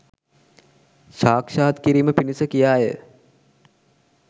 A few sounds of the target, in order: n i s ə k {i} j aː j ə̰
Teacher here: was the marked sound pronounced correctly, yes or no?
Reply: yes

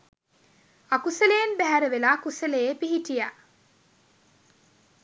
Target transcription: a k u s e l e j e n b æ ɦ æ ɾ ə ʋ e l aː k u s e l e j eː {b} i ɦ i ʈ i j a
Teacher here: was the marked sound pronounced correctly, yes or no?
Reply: no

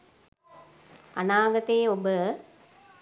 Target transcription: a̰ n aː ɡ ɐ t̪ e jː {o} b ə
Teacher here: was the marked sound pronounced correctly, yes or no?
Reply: yes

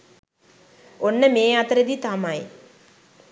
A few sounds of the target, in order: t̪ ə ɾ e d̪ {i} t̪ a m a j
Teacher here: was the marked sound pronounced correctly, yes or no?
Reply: yes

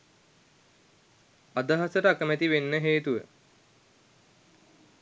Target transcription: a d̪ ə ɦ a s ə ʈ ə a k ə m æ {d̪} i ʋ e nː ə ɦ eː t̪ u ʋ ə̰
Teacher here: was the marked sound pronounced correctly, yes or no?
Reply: no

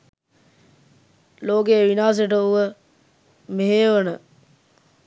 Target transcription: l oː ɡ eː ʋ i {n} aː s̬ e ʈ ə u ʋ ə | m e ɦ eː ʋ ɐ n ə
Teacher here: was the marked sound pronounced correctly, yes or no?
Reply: yes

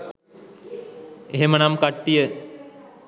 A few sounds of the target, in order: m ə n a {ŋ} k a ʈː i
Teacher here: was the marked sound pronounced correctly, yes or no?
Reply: no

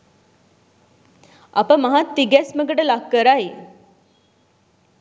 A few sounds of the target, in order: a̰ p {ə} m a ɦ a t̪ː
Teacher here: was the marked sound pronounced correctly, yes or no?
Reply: yes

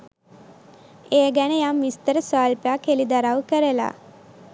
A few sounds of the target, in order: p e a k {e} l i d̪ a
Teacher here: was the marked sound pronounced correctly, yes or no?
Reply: yes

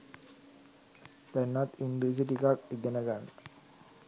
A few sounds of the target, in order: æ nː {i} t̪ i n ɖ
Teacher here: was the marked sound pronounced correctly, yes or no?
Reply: no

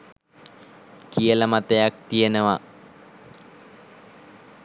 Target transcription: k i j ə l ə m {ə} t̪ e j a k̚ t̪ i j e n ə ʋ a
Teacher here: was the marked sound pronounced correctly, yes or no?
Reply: no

